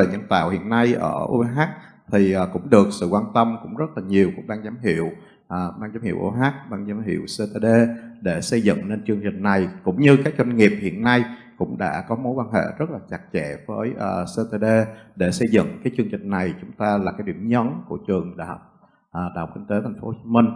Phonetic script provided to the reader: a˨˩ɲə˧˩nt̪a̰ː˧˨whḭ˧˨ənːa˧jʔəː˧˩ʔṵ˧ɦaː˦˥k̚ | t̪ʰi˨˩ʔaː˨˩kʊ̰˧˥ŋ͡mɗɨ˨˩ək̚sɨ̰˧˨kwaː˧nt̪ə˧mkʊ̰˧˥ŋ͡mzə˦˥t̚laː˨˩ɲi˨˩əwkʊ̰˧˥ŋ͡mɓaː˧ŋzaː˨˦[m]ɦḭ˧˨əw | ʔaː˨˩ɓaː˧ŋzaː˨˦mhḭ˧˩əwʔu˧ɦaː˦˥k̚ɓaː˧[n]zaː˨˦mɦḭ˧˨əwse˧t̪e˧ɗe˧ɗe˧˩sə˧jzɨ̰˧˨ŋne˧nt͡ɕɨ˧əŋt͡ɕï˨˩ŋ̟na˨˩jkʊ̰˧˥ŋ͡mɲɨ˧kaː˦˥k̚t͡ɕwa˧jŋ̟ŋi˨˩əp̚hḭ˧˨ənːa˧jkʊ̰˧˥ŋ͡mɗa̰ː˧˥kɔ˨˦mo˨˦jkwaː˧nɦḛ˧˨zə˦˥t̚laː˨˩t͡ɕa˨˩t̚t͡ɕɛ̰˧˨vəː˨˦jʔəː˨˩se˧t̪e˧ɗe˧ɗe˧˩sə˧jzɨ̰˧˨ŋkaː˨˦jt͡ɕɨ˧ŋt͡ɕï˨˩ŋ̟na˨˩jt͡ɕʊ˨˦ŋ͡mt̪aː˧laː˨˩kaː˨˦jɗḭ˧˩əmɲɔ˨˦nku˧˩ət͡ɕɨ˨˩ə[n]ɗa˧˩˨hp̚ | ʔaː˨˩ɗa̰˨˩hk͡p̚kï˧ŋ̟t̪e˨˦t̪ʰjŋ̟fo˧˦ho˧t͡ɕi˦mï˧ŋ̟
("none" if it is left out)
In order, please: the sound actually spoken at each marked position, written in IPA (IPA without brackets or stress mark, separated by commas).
m, ŋ, ŋ